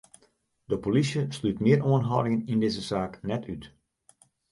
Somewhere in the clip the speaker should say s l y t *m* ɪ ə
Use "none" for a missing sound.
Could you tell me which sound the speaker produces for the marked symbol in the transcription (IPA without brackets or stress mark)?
m